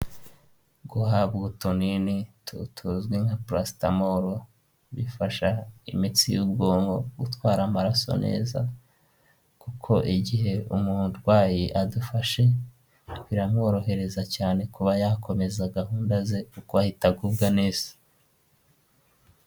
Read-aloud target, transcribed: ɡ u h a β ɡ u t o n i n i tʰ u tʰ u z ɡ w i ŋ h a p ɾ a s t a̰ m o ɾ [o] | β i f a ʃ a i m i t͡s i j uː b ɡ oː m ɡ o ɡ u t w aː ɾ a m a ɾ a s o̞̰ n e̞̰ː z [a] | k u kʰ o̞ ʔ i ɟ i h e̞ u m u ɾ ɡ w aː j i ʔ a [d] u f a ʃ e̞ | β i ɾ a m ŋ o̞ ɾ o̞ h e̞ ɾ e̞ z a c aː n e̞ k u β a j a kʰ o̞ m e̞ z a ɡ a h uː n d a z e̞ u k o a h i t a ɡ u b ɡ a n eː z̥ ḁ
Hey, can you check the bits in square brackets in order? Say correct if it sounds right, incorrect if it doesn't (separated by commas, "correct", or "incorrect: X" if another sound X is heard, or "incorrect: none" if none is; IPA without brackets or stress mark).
correct, correct, correct